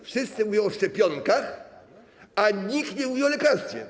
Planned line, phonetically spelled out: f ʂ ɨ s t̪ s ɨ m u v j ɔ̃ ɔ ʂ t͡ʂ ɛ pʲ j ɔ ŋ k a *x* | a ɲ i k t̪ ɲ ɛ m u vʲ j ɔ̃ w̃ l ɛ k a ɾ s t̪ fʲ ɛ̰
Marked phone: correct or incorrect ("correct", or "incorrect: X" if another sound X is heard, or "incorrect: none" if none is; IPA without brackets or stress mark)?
correct